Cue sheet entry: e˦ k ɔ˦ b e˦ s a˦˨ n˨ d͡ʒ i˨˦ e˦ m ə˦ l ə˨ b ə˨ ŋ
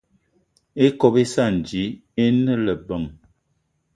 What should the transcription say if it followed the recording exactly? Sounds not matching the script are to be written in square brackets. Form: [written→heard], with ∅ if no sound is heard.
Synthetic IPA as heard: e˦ k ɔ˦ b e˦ s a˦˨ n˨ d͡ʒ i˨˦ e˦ [m→n] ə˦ l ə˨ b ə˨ ŋ